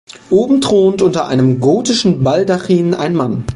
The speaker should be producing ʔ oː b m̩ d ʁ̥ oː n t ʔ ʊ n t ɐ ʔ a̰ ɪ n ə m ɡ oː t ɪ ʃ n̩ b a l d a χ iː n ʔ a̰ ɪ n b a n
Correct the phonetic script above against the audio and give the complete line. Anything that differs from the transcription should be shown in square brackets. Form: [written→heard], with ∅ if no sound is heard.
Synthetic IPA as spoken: ʔ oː b m̩ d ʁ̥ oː n t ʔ ʊ n t ɐ ʔ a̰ ɪ n ə m ɡ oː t ɪ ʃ n̩ b a l d a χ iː n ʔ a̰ ɪ n [b→m] a n